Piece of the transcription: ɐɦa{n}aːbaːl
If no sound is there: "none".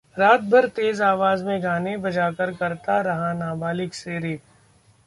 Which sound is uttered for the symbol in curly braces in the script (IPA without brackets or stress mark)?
n